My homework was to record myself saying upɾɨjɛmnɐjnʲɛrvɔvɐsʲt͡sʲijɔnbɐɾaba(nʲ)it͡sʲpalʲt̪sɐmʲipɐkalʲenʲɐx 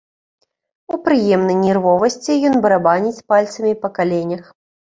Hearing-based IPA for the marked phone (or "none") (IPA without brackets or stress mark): nʲ